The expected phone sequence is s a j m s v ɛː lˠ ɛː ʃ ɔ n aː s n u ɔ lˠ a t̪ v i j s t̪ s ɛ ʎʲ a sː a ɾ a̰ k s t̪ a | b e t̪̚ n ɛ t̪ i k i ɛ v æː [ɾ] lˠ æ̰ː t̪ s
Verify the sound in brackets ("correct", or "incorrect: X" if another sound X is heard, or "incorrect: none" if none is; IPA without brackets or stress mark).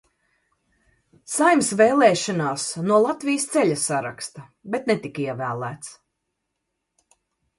incorrect: none